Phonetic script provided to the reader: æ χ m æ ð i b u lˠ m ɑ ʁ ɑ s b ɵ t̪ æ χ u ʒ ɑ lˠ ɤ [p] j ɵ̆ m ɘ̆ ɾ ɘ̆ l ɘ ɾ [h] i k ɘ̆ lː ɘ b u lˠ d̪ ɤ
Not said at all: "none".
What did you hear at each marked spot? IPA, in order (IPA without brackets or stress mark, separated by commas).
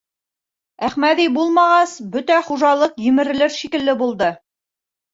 q, ʃ